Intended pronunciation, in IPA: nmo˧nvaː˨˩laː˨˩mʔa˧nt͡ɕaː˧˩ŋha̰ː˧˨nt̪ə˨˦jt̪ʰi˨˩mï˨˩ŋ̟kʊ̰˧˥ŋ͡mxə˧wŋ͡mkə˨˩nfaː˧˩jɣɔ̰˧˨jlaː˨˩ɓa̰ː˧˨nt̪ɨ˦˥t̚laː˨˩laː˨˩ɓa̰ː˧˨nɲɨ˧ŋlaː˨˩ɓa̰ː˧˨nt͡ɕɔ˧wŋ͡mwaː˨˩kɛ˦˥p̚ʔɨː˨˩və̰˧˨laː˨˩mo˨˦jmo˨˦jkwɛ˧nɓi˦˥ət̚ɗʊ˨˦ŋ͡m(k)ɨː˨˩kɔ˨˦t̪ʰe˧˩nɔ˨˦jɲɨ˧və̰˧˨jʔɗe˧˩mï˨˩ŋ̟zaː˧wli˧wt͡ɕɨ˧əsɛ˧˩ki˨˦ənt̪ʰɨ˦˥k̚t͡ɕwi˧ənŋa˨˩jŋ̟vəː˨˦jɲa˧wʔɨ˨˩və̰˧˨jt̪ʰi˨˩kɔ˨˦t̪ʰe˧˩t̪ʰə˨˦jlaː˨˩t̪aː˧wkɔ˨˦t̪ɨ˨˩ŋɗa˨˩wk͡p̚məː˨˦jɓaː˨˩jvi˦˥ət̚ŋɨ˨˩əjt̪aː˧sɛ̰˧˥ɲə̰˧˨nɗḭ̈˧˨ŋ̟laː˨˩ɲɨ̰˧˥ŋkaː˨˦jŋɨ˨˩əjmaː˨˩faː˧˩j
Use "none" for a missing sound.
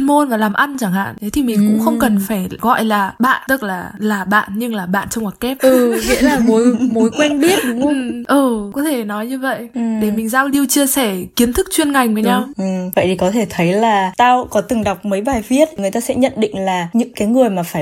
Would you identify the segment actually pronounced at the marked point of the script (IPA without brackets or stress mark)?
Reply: ʔ